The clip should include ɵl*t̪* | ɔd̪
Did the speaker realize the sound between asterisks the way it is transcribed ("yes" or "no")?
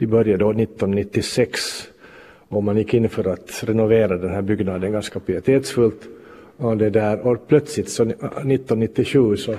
yes